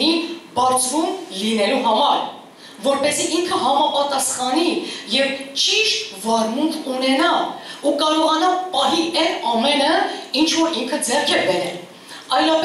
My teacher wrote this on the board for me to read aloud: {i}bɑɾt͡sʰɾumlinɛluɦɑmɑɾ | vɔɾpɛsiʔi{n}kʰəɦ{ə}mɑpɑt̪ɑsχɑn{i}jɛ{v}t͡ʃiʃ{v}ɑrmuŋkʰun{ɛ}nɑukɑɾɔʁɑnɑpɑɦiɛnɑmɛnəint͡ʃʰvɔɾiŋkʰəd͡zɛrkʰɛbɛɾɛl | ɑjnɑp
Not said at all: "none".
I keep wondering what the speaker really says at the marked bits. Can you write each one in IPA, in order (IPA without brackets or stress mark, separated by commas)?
i, ŋ, ɑ, i, v, v, ɛ